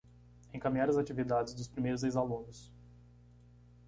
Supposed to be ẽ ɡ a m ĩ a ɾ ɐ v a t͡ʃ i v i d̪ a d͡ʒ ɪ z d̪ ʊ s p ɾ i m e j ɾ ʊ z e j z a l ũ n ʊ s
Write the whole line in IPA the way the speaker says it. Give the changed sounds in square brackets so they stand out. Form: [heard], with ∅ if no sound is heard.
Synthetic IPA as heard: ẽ [k] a m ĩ a ɾ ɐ [z] a t͡ʃ i v i d̪ a d͡ʒ ɪ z d̪ ʊ s p ɾ i m e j ɾ ʊ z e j z a l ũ n ʊ s